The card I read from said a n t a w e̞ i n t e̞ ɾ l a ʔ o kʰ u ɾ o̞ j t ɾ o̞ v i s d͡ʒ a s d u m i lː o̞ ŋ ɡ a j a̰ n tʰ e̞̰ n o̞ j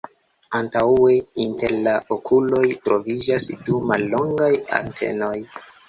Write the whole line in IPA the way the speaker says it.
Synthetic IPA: a n t a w e̞ i n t e̞ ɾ l a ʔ o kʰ u l o̞ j t ɾ o̞ v i d͡ʒ a s d u m a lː o̞ ŋ ɡ a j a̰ n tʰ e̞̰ n o̞ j